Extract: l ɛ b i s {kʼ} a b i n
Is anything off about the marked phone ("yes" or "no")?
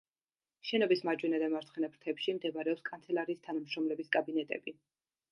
no